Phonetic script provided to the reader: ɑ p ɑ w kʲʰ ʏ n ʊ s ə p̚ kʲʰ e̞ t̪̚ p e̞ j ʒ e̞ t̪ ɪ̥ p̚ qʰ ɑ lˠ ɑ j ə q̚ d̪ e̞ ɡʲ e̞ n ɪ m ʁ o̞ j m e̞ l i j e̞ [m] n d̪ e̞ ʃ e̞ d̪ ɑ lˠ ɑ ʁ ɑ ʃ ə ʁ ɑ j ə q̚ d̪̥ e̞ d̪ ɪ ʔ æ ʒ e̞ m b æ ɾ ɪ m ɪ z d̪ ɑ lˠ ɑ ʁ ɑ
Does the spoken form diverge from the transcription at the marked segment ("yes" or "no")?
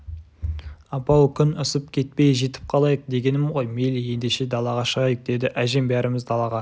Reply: yes